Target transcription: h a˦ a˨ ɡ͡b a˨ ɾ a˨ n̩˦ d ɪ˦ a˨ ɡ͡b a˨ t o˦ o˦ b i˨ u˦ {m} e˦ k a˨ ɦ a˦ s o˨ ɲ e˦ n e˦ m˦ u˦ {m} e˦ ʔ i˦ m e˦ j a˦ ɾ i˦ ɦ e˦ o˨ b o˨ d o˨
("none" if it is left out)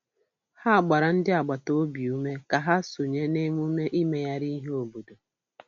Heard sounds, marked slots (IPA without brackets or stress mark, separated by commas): m, m